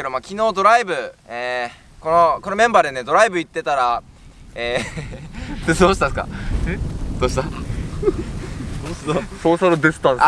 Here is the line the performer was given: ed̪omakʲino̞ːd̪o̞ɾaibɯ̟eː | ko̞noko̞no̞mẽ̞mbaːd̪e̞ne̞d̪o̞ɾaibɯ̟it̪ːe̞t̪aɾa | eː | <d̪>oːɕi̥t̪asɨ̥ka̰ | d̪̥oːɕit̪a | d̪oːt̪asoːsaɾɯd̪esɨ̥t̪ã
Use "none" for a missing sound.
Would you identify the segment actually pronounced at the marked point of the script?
d̪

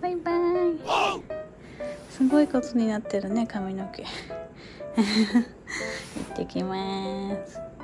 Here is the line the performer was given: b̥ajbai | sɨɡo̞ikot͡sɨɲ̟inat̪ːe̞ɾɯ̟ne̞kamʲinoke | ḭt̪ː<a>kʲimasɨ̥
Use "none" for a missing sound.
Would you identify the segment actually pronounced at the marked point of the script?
e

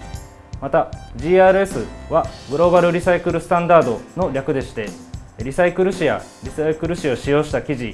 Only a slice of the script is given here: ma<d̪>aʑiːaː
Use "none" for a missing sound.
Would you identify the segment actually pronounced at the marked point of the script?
t̪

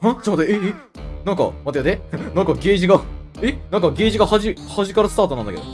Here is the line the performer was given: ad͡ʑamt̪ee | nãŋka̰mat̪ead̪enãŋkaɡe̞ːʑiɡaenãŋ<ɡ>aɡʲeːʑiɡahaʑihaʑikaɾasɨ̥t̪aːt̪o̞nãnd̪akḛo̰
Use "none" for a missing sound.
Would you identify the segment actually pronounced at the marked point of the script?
k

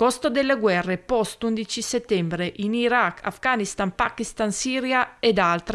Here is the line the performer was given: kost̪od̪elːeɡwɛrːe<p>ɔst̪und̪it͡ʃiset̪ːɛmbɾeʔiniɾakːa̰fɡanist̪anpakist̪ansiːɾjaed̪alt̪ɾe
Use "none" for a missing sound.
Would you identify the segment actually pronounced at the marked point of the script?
p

